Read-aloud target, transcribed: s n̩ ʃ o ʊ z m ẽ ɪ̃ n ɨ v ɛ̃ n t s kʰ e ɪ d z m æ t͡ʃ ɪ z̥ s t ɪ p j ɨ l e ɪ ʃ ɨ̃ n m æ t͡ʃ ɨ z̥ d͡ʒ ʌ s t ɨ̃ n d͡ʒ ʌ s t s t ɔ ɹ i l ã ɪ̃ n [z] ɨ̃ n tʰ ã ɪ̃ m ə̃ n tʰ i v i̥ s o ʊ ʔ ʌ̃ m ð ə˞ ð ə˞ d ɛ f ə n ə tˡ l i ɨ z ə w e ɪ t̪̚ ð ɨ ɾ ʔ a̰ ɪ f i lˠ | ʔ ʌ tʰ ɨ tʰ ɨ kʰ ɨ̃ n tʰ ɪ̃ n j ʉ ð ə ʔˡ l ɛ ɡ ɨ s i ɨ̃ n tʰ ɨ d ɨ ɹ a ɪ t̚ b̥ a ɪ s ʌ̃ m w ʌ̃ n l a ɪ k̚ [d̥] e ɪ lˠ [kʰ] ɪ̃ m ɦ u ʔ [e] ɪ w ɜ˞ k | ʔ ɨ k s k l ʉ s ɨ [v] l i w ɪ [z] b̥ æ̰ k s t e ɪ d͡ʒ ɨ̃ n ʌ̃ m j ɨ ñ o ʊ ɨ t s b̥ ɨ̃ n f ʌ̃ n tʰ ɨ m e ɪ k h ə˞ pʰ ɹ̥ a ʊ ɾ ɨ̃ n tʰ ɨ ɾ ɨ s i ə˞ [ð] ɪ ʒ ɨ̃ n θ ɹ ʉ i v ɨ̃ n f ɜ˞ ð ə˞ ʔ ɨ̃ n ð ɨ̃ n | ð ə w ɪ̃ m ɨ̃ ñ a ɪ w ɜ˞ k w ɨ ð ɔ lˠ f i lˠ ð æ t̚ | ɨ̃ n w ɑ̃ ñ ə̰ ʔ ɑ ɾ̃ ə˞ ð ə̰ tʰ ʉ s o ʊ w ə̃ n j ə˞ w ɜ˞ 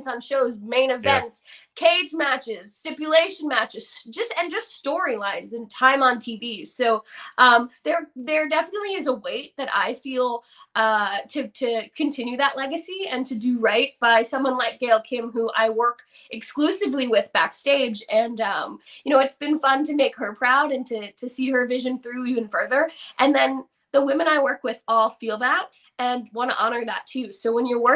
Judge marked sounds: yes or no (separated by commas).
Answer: yes, no, yes, no, yes, no, no